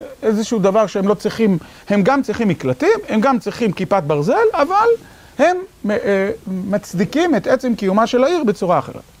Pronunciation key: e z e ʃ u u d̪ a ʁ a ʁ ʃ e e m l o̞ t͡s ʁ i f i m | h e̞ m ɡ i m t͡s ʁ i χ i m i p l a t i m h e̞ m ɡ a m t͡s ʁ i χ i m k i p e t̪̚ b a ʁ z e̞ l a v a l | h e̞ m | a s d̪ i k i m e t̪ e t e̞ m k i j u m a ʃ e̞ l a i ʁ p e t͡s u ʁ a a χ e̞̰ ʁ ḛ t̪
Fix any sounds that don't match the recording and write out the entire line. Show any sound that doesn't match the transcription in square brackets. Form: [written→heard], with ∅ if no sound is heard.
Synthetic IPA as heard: e z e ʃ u u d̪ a [ʁ→v] a ʁ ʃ e e m l o̞ t͡s ʁ i [f→χ] i m | h e̞ m ɡ [i→a] m t͡s ʁ i χ i m i [p→k] l a t i m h e̞ m ɡ a m t͡s ʁ i χ i m k i p [e→a] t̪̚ b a ʁ z e̞ l a v a l | h e̞ m | a [s→t͡s] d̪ i k i m e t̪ e [t→t͡s] e̞ m k i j u m a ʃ e̞ l a i ʁ [p→b] e t͡s u ʁ a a χ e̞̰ ʁ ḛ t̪